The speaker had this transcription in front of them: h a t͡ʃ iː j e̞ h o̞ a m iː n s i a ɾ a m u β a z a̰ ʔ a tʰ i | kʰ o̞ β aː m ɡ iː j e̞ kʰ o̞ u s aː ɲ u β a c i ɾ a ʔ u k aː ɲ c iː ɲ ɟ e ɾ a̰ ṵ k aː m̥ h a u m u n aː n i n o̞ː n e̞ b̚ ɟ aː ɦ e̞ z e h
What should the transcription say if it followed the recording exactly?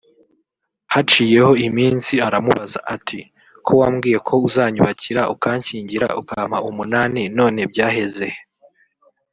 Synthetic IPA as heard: h a t͡ʃ iː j e̞ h o̞ i m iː n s i a ɾ a m u β a z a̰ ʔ a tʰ i | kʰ o̞ w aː m ɡ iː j e̞ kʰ o̞ u z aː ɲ u β a c i ɾ a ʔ u k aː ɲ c iː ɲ ɟ i ɾ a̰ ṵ k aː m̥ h a u m u n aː n i n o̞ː n e̞ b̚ ɟ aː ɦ e̞ z e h

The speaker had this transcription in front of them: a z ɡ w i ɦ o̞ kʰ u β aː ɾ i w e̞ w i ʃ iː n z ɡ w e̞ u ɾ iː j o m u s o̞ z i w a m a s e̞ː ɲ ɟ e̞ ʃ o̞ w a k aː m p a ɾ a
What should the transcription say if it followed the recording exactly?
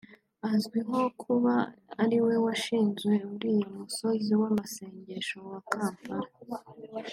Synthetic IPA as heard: a z ɡ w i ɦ o̞ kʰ u β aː ɾ i w e̞ w a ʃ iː n z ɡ w e̞ u ɾ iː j o m u s o̞ z i w a m a s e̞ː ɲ ɟ e̞ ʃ o̞ w a k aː m p a ɾ a

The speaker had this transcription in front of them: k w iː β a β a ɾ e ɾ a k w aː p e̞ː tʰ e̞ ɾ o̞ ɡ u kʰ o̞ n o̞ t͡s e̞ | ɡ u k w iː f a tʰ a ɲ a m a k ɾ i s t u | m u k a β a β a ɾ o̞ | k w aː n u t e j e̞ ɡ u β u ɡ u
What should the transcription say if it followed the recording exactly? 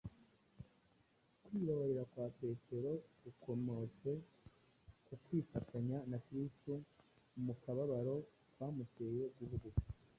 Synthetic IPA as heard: k w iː β a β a ɾ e ɾ a k w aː p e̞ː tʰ e̞ ɾ o̞ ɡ u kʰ o̞ m o̞ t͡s e̞ | k u k w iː f a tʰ a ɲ a n a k ɾ i s t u | m u k a β a β a ɾ o̞ | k w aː m u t e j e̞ ɡ u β u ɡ u

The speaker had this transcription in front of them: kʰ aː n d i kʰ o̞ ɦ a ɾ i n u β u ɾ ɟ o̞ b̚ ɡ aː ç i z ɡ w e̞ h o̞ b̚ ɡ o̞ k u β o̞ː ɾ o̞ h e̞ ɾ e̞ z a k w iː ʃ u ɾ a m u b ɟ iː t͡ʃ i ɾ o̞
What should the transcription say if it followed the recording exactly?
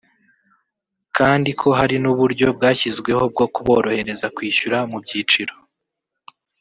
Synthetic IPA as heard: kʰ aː n d i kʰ o̞ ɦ a ɾ i n u β u ɾ ɟ o̞ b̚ ɡ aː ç i z ɡ w e̞ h o̞ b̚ ɡ o̞ k u β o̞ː ɾ o̞ h e̞ ɾ e̞ z a k w iː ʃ u ɾ a m u b ɟ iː t͡ʃ i ɾ o̞

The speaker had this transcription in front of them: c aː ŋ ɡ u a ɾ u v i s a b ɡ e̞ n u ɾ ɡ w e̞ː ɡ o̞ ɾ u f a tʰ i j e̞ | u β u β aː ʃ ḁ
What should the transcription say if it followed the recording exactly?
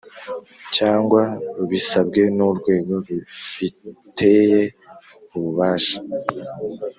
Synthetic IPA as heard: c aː ŋ ɡ w a ɾ u β i s a b ɡ e̞ n u ɾ ɡ w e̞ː ɡ o̞ ɾ u f i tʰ e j e̞ | u β u β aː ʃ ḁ

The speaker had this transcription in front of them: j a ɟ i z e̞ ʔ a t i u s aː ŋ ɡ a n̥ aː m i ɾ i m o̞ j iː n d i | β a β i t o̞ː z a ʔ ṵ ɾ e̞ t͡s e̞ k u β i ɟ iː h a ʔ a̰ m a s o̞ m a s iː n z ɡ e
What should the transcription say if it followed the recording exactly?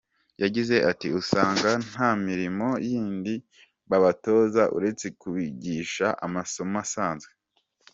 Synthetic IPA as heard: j a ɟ i z e̞ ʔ a t i u s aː ŋ ɡ a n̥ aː m i ɾ i m o̞ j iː n d i | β a β a t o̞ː z a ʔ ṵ ɾ e̞ t͡s e̞ k u β i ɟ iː ʃ a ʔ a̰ m a s o̞ m a s aː n z ɡ e

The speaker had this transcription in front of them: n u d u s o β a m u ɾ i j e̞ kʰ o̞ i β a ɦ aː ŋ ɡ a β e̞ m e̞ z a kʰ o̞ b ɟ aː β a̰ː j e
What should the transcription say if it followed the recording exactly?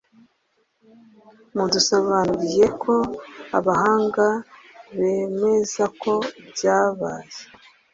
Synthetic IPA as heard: m u d u s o β a n u ɾ i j e̞ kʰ o̞ a β a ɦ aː ŋ ɡ a β e̞ m e̞ z a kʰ o̞ b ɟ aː β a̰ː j e

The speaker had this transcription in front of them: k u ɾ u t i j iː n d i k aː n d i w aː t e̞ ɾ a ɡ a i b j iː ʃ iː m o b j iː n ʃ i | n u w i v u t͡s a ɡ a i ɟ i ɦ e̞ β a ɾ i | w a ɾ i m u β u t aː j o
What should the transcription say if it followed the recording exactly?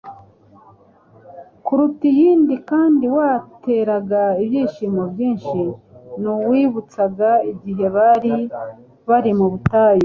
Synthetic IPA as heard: k u ɾ u t i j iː n d i k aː n d i w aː t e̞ ɾ a ɡ a i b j iː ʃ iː m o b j iː n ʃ i | n u w i β u t͡s a ɡ a i ɟ i ɦ e̞ β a ɾ i | β a ɾ i m u β u t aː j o

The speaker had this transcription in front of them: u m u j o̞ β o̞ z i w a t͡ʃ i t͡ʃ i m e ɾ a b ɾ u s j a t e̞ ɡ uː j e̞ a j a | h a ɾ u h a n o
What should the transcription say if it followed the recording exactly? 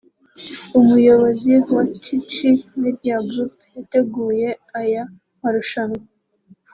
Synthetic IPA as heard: u m u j o̞ β o̞ z i w a t͡ʃ i t͡ʃ i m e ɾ a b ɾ u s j a t e̞ ɡ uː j e̞ a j a | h a ɾ u ʃ a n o

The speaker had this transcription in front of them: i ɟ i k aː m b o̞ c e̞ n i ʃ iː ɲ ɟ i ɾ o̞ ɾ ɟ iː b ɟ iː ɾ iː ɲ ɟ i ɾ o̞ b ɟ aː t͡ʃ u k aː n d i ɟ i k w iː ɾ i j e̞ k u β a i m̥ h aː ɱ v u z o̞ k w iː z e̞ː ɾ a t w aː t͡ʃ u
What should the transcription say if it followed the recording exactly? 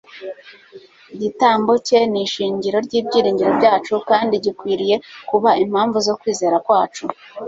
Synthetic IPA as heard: i ɟ i t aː m b o̞ c e̞ n i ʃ iː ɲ ɟ i ɾ o̞ ɾ ɟ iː b ɟ iː ɾ iː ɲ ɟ i ɾ o̞ b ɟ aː t͡ʃ u k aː n d i ɟ i k w iː ɾ i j e̞ k u β a i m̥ h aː ɱ v u z o̞ k w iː z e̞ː ɾ a k w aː t͡ʃ u

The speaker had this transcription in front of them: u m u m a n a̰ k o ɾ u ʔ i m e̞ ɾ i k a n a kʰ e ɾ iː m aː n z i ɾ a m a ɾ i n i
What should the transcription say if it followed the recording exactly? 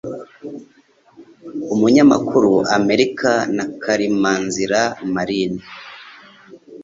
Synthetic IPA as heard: u m u ɲ a m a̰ k u ɾ u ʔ a m e̞ ɾ i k a n a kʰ a ɾ i m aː n z i ɾ a m a ɾ i n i

